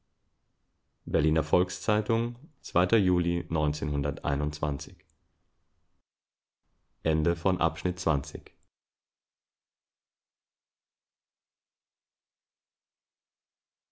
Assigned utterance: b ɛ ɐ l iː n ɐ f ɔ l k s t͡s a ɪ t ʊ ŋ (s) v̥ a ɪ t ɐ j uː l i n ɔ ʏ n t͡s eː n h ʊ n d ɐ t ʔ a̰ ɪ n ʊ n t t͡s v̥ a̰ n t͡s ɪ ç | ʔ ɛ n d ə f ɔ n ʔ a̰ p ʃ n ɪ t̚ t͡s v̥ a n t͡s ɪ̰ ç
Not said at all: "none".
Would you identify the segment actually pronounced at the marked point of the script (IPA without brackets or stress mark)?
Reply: t͡s